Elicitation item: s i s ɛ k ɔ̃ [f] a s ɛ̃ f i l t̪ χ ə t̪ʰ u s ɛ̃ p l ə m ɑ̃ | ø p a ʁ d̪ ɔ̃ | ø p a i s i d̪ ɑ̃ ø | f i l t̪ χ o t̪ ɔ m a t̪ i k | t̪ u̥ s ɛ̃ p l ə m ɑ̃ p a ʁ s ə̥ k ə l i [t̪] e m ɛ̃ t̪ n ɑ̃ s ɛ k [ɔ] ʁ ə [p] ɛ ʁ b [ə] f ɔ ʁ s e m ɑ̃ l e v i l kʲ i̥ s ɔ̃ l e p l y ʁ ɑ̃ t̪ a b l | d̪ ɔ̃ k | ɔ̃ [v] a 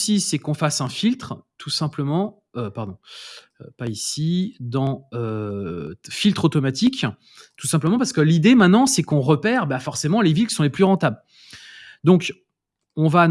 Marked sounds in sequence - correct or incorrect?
correct, incorrect, incorrect, correct, incorrect, correct

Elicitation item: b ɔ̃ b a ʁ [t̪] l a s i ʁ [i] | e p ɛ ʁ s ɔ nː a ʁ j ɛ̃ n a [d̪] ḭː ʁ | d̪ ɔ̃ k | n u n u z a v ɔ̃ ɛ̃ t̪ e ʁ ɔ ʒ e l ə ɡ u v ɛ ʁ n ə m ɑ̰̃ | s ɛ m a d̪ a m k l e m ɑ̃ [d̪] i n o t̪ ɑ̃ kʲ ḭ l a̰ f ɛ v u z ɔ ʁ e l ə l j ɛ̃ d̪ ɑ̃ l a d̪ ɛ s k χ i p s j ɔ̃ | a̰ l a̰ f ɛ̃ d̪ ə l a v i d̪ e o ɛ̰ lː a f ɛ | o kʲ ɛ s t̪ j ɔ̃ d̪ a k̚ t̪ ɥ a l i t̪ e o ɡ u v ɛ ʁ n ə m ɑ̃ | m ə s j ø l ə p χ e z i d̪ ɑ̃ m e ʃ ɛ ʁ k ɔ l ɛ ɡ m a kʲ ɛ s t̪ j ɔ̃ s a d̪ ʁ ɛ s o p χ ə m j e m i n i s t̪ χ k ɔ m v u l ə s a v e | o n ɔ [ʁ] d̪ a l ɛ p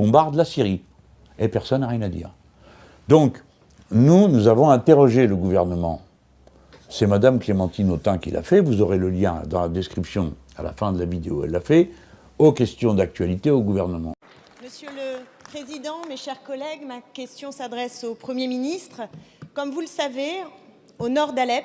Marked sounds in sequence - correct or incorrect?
incorrect, correct, correct, incorrect, correct

